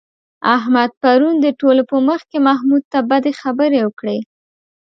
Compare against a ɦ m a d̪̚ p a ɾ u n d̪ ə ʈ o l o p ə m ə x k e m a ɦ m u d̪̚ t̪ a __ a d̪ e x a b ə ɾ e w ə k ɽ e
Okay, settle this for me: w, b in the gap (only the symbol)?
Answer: b